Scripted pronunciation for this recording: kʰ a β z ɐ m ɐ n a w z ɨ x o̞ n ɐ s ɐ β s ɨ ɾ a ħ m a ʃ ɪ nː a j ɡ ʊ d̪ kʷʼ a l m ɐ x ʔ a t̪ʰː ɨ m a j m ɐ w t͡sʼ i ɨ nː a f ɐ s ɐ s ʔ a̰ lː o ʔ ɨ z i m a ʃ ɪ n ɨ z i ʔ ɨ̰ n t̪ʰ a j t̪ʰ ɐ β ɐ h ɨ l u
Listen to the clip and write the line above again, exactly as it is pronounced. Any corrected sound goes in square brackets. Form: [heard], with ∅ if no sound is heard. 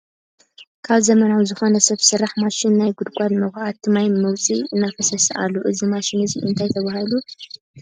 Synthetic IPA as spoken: kʰ a β z ɐ m ɐ n a w z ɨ x o̞ n ɐ s ɐ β s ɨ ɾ a ħ m a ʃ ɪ nː a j ɡ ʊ d̪ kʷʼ a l m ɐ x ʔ a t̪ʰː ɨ m a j m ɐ w t͡sʼ i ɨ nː a f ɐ s ɐ s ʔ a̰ lː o ʔ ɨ z i m a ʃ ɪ n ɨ z i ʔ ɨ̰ n t̪ʰ a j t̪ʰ ɐ β [a] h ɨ l u